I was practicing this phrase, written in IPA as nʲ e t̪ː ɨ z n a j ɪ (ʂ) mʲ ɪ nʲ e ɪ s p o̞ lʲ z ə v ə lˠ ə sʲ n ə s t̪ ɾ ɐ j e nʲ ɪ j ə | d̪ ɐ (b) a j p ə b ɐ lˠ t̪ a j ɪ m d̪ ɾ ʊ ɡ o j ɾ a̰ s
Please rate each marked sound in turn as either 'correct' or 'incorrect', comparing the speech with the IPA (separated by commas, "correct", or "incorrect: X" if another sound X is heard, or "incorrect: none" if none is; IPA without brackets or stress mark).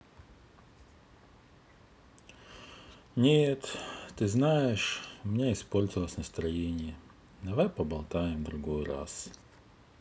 correct, incorrect: v